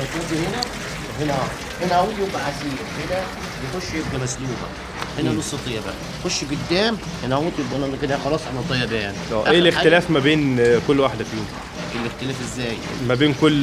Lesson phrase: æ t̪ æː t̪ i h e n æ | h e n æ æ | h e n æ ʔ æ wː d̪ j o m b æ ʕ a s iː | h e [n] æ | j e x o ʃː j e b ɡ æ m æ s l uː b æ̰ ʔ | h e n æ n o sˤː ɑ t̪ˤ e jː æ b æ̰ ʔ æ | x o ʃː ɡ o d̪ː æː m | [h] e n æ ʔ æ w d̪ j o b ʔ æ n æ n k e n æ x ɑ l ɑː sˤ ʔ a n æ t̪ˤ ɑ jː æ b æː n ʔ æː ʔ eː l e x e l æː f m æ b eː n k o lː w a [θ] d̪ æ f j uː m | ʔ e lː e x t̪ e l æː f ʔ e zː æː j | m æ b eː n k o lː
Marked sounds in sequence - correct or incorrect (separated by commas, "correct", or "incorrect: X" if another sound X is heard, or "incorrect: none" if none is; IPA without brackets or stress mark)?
correct, correct, incorrect: ħ